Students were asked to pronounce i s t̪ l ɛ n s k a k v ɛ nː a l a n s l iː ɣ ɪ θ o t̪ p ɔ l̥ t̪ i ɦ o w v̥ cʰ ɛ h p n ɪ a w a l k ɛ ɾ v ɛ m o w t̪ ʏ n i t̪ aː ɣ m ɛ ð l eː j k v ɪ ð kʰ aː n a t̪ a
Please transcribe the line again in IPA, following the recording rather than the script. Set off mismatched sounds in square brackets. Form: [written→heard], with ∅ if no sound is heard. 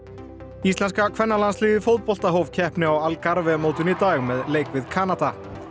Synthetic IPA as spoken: i s t̪ l ɛ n s k a [k→kʰ] v ɛ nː a l a n s l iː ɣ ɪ [θ→f] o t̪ p ɔ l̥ t̪ [i→a] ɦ o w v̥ cʰ ɛ h p n ɪ a w a l k [ɛ→a] ɾ v ɛ m o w t̪ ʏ n i t̪ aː ɣ m ɛ ð l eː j k v ɪ ð kʰ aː n a t̪ a